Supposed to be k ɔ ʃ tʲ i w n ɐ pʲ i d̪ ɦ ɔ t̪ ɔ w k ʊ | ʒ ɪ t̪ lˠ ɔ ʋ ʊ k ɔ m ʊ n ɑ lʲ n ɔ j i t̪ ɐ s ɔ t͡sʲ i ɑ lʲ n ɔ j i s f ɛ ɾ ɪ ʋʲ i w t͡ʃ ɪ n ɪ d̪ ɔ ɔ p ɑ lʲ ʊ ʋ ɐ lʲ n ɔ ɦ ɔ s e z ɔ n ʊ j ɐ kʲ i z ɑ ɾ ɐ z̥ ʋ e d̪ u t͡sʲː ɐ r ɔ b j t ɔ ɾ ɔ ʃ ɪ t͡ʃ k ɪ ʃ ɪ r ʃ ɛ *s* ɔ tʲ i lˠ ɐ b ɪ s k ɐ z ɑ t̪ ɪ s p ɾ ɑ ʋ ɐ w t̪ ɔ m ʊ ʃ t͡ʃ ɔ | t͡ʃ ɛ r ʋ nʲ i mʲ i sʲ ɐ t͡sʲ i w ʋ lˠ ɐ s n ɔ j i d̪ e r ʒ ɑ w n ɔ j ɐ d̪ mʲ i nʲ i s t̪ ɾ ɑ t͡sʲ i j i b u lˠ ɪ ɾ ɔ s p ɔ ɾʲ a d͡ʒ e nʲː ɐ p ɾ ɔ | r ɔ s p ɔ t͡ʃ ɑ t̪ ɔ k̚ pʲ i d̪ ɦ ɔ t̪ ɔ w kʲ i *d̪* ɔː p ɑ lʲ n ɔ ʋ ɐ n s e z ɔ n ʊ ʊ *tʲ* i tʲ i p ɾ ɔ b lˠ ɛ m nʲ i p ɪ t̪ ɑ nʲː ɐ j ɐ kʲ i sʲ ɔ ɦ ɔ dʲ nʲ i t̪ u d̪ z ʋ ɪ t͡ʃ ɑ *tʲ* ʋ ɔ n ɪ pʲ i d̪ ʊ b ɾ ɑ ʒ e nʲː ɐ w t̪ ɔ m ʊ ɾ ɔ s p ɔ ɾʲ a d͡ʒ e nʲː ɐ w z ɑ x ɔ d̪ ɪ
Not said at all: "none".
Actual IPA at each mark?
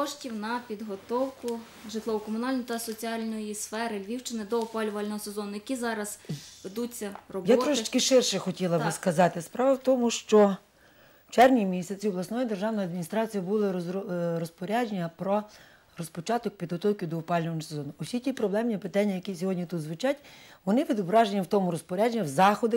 x, d̪, sʲ, tʲ

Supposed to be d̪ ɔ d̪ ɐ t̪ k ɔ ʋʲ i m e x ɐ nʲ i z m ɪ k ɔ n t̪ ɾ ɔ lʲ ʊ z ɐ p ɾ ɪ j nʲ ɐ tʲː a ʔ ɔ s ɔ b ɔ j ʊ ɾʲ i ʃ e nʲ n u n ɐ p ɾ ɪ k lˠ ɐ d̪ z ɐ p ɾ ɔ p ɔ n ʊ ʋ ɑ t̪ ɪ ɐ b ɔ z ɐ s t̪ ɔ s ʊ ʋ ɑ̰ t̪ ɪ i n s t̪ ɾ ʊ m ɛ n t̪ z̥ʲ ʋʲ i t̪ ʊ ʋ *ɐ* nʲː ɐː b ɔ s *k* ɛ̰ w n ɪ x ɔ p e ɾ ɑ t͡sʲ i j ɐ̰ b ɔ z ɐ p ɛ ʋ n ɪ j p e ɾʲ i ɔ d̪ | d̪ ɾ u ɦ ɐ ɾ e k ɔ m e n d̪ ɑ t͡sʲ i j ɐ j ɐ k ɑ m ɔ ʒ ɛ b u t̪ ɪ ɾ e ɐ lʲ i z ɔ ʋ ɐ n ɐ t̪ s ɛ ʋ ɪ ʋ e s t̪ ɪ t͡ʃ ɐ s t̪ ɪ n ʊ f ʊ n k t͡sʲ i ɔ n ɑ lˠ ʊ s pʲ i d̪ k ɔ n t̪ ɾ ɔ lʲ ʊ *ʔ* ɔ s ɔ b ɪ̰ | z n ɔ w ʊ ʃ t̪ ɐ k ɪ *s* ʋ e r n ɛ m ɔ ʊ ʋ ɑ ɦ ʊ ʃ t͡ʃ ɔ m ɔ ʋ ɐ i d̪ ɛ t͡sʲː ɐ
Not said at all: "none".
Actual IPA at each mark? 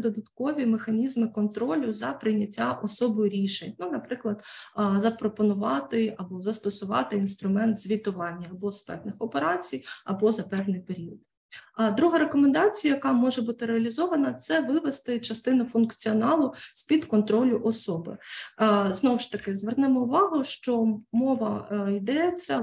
ɑ, p, ʔ, z

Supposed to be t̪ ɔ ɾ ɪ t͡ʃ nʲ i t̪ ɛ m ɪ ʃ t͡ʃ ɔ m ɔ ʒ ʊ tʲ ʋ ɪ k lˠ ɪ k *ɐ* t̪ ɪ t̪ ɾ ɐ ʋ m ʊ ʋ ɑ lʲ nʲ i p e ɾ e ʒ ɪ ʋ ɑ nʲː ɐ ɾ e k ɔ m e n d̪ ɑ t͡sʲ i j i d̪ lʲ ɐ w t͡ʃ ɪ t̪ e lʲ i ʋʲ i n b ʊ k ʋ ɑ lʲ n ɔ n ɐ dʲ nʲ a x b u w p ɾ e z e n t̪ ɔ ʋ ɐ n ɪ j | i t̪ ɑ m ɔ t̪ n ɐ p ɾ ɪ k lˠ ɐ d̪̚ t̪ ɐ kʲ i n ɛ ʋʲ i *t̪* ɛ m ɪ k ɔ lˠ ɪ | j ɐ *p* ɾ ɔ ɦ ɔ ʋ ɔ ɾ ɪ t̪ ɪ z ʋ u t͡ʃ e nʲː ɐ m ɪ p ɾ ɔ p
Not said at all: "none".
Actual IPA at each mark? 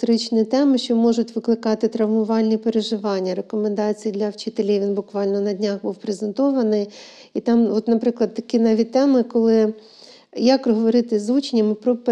ɑ, t̪, k

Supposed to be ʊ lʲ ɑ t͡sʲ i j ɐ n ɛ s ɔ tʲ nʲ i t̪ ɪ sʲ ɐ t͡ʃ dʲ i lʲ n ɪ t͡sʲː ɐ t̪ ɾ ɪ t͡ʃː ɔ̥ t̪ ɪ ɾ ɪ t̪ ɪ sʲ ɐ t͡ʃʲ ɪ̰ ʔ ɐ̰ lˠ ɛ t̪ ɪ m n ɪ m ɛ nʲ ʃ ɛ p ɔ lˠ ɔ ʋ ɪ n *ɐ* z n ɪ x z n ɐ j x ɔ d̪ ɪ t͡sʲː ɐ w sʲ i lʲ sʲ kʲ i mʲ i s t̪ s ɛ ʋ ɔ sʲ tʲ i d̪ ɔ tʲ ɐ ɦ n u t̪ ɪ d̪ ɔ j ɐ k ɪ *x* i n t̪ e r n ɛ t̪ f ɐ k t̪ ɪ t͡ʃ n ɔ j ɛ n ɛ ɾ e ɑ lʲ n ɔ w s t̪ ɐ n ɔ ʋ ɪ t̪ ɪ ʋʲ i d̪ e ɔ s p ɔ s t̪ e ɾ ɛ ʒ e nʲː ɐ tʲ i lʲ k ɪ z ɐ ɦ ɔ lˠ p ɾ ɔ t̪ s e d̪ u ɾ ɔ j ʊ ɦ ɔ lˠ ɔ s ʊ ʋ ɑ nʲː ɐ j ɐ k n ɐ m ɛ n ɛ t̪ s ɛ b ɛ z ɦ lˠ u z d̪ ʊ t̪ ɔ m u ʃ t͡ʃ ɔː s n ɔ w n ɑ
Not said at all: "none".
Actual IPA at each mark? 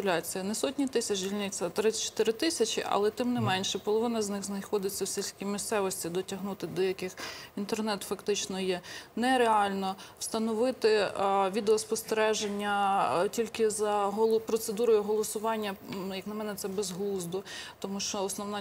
ɐ, x

